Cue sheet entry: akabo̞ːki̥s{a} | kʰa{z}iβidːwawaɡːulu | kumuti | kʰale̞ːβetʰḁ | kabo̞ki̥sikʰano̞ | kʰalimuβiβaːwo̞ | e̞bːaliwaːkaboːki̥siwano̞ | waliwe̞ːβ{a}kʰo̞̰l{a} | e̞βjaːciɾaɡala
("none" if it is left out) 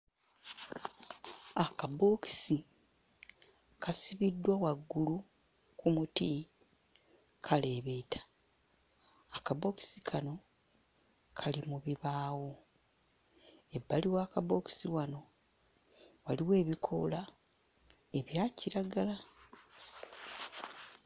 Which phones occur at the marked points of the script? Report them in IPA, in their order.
i, s, i, a

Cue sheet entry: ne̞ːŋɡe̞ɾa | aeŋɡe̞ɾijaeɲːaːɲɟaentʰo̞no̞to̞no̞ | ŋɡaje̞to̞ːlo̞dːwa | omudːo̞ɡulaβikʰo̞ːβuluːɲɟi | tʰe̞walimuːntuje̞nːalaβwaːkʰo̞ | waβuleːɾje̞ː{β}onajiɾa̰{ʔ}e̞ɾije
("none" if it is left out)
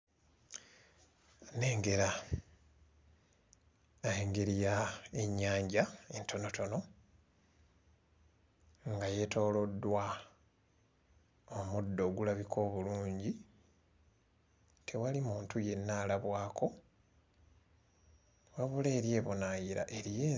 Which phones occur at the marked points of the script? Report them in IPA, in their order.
β, ʔ

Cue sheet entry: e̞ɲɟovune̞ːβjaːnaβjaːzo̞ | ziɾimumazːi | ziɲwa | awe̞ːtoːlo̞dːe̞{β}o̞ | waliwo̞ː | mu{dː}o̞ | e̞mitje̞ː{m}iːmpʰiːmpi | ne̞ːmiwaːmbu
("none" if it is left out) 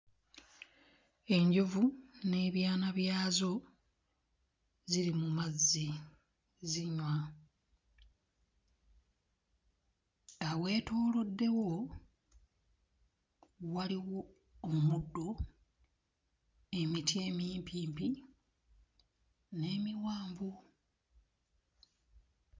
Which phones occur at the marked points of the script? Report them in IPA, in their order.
w, dː, m

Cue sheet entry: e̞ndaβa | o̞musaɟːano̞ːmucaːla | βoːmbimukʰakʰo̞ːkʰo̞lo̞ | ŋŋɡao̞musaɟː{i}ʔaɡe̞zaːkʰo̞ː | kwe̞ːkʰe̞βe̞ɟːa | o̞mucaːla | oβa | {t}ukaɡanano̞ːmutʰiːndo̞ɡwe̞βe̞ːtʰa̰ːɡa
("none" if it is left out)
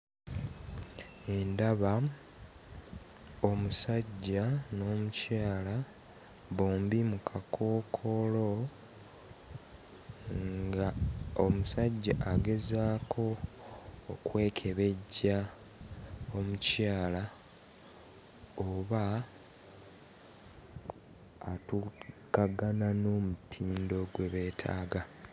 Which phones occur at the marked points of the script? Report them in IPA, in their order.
a, t

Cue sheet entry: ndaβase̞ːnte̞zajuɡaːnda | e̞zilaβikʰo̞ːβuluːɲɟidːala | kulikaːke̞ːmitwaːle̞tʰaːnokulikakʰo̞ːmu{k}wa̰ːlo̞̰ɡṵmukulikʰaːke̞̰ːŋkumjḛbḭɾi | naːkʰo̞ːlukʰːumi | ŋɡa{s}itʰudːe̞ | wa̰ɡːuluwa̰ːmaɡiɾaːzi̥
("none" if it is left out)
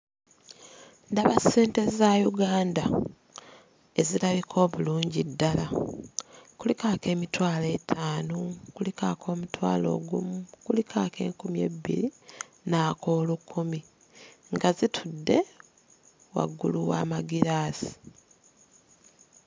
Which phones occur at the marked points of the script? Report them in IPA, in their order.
t, z

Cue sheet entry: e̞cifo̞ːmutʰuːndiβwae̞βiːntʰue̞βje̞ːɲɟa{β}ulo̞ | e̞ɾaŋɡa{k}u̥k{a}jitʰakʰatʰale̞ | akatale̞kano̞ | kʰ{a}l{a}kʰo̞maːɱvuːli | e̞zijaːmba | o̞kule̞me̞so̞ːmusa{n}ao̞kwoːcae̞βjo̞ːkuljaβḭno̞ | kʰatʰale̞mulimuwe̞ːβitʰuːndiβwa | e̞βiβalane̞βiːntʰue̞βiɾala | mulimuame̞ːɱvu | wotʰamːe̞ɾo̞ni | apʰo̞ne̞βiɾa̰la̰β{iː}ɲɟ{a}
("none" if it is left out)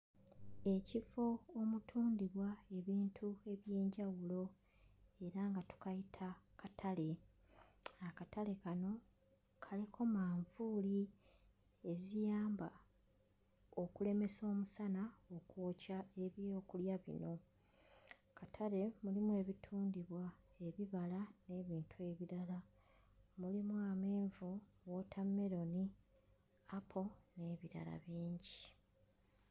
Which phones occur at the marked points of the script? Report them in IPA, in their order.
w, t, a, a, i, n, iː, i

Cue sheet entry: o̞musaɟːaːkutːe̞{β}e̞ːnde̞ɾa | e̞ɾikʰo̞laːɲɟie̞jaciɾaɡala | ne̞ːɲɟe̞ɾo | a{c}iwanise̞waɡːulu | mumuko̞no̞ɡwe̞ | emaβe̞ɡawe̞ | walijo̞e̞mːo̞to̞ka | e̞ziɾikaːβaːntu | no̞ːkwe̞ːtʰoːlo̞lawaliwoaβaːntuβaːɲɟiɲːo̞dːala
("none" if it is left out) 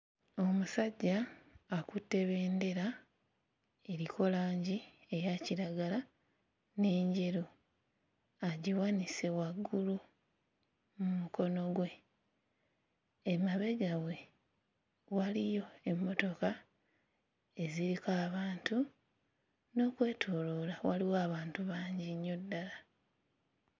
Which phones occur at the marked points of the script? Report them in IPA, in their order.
β, ɟ

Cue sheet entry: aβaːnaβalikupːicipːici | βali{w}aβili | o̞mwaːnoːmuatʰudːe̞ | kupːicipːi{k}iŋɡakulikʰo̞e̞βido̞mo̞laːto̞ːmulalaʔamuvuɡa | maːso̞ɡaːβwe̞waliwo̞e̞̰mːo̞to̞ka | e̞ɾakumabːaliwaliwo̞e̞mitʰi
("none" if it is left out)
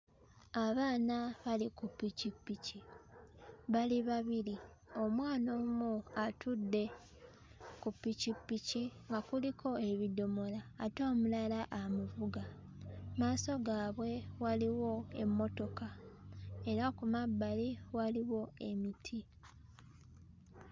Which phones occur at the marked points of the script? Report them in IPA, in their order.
β, c

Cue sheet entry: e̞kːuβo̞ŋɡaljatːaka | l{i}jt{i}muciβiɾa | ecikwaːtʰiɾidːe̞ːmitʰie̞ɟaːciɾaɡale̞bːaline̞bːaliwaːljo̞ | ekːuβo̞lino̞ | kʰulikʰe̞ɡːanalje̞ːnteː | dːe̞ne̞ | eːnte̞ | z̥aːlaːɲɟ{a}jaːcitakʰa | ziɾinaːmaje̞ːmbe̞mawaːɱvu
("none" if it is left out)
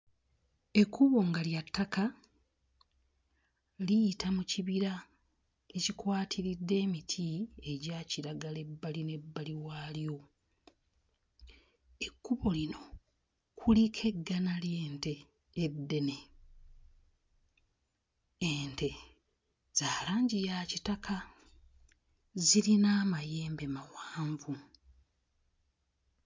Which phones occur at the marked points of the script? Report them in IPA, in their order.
i, a, i

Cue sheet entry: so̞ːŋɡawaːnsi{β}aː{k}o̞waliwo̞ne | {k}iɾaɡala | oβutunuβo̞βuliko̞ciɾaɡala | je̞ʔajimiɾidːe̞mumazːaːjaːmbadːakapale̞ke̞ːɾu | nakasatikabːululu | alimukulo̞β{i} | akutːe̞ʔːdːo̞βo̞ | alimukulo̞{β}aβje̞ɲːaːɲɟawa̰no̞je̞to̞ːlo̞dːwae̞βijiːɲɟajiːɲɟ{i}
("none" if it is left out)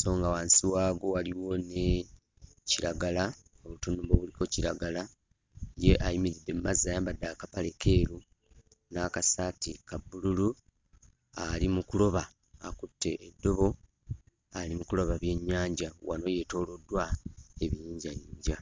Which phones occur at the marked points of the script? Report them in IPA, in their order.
w, ɡ, c, a, β, a

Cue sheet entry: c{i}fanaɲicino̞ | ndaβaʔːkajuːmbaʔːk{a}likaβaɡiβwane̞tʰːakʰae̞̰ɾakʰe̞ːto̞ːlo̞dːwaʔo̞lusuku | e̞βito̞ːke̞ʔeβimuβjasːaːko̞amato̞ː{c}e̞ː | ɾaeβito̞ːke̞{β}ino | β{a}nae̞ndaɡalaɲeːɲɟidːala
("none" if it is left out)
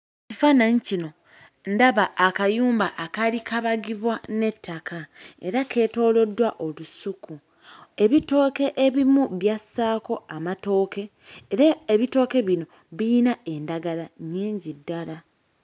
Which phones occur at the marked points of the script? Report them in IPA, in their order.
i, a, k, β, i

